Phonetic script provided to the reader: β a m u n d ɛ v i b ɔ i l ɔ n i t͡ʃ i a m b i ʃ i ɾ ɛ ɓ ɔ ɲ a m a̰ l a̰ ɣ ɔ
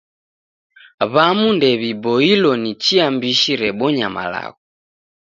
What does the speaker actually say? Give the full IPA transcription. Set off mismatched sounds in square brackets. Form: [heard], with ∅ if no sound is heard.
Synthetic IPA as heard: β a m u n d ɛ [β] i b ɔ i l ɔ n i t͡ʃ i a m b i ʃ i ɾ ɛ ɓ ɔ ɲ a m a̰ l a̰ ɣ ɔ